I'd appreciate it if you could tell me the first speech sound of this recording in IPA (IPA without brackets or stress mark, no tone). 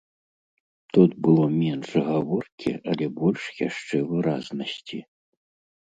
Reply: t̪